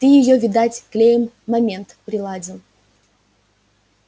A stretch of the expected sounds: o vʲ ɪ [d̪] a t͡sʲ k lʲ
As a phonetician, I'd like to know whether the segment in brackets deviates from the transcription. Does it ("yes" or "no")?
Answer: no